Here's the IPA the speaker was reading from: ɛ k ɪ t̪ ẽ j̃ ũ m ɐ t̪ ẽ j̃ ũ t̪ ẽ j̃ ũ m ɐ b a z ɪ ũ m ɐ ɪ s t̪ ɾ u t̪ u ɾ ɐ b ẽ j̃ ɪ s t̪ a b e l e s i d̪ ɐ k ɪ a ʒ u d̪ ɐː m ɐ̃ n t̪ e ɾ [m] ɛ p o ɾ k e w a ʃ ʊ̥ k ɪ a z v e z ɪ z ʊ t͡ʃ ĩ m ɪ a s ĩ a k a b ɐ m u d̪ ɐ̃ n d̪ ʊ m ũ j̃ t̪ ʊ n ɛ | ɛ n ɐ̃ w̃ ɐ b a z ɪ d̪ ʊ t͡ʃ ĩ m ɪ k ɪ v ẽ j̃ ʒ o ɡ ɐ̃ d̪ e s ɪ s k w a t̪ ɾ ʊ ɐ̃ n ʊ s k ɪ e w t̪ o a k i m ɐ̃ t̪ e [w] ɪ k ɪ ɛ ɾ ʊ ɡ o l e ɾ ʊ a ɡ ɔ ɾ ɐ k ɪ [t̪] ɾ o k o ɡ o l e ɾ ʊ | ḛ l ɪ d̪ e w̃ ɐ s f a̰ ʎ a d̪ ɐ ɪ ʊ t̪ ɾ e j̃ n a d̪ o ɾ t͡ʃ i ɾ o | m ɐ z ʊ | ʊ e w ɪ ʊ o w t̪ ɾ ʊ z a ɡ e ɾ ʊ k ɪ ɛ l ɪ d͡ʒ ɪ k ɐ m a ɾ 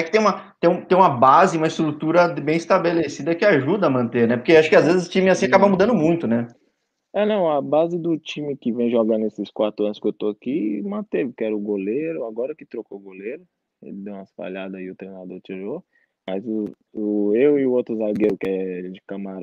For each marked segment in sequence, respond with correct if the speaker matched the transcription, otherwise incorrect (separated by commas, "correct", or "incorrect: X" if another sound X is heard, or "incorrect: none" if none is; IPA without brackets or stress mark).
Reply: incorrect: n, incorrect: v, correct